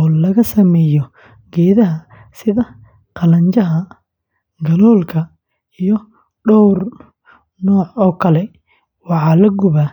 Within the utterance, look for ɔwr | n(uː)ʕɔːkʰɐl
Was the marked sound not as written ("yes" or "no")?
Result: yes